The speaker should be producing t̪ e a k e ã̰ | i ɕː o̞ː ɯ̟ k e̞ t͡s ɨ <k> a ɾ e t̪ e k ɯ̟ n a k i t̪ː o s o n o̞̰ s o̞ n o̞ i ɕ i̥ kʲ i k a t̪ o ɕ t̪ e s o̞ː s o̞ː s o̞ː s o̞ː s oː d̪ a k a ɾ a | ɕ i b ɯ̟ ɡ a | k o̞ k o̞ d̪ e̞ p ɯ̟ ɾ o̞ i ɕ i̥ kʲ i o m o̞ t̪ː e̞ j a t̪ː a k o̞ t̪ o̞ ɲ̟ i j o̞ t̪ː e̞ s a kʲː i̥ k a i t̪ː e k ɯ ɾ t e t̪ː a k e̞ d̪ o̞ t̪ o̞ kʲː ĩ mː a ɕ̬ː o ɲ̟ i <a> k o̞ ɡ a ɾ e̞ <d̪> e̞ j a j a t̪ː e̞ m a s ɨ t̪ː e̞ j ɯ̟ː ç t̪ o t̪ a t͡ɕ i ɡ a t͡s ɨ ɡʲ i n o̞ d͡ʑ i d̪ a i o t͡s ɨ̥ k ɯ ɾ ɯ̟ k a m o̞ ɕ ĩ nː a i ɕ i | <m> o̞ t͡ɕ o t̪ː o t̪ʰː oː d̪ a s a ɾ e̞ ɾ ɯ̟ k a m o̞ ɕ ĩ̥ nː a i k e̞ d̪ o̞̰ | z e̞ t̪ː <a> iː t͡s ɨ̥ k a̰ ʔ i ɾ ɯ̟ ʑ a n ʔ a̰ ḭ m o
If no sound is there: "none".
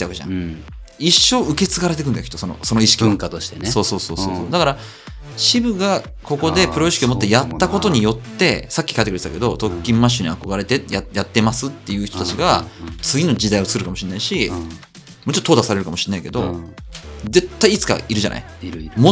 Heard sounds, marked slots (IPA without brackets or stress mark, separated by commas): ɡ, a, t̪, m, a